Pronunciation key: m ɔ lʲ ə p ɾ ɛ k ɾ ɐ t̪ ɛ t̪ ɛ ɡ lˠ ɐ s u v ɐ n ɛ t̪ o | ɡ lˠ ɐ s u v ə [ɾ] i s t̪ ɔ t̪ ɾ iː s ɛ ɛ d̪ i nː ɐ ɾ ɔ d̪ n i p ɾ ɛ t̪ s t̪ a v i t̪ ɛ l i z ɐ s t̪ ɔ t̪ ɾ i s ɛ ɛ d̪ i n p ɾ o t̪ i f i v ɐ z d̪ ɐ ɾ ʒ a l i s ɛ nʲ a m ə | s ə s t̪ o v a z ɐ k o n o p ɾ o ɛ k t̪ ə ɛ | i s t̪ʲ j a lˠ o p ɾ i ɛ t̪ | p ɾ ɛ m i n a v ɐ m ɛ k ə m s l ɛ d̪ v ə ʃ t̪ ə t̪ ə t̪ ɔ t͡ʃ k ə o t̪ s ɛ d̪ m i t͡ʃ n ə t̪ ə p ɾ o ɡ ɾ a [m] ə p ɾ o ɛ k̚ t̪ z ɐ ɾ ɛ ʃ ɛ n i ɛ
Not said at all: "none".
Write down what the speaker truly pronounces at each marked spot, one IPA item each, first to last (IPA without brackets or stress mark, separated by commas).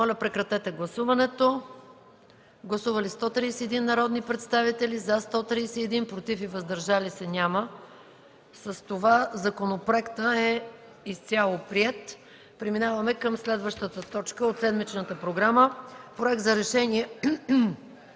l, m